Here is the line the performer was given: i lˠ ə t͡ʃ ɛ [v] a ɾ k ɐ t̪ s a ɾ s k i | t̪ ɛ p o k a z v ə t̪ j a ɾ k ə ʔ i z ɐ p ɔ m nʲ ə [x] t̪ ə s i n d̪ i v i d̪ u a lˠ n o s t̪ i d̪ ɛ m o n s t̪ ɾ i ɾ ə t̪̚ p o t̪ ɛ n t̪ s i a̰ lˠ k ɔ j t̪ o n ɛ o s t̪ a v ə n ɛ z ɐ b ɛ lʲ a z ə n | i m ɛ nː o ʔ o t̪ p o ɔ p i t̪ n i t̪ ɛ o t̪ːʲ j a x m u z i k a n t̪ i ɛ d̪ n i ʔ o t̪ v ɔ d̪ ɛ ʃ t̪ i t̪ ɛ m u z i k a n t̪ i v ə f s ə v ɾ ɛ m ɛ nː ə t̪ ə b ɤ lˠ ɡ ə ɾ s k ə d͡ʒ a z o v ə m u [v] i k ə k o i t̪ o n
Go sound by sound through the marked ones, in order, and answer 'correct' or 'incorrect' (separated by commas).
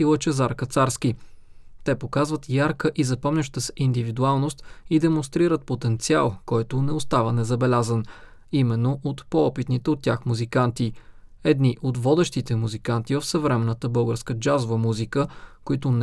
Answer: incorrect, incorrect, incorrect